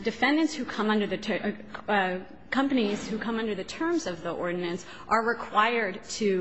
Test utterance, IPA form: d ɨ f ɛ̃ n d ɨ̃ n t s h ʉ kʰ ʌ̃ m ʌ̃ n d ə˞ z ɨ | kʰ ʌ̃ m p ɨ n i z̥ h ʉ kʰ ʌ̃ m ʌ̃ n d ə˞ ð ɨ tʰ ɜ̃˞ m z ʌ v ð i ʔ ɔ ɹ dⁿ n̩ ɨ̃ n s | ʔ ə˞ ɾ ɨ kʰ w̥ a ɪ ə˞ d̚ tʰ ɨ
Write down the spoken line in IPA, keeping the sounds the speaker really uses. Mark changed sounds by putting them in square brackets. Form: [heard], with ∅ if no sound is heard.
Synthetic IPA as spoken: d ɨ f ɛ̃ n d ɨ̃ n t s h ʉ kʰ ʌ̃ m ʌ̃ n d ə˞ [ð] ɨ | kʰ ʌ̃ m p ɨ n i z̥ h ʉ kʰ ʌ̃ m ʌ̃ n d ə˞ ð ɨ tʰ ɜ̃˞ m z ʌ v ð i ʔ ɔ ɹ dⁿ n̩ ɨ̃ n s | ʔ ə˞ [ɹ] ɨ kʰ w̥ a ɪ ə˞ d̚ tʰ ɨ